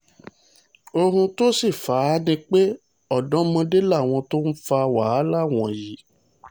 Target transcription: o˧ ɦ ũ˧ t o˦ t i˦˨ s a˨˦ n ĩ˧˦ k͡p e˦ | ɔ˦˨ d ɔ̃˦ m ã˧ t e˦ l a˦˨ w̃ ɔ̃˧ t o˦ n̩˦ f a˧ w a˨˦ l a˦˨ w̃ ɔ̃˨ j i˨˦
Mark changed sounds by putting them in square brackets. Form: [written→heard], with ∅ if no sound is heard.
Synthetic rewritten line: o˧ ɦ ũ˧ t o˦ [t→s] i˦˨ [s→f] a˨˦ n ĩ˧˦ k͡p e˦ | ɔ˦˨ d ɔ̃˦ m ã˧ [t→d] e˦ l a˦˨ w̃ ɔ̃˧ t o˦ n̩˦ f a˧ w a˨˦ l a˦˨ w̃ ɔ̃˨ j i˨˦